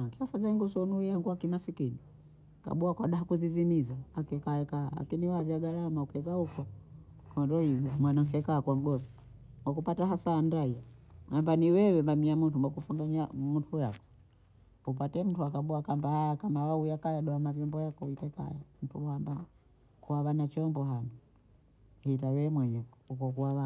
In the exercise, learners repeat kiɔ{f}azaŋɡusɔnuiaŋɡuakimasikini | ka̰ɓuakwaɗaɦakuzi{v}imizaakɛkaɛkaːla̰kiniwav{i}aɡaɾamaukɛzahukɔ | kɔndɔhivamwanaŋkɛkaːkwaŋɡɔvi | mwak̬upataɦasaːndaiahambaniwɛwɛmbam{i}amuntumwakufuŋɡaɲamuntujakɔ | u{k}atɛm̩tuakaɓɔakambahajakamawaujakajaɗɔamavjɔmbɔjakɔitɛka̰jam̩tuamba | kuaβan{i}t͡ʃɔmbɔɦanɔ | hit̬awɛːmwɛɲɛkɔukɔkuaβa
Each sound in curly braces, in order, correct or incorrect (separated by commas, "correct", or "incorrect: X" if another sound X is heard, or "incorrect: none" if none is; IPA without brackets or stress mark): correct, incorrect: z, incorrect: j, correct, incorrect: p, incorrect: a